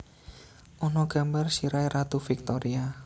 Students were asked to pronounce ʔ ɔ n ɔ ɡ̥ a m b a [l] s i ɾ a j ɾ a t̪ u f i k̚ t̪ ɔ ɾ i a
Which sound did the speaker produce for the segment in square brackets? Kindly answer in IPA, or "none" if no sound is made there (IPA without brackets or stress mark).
r